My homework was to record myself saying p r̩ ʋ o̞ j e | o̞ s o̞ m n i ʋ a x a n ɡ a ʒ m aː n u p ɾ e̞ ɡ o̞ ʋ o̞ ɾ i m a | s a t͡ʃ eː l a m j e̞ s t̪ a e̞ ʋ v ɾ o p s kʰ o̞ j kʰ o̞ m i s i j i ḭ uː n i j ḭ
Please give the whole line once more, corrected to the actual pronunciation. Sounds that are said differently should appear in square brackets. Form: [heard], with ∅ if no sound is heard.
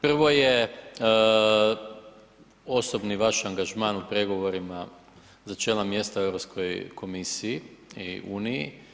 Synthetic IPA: p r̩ ʋ o̞ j e | o̞ s o̞ [b] n i ʋ a [ʃ] a [ŋ] ɡ a ʒ m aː n u p ɾ e̞ ɡ o̞ ʋ o̞ ɾ i m a | [z] a t͡ʃ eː l a m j e̞ s t̪ a e̞ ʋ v ɾ o p s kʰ o̞ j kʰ o̞ m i s i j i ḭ uː n i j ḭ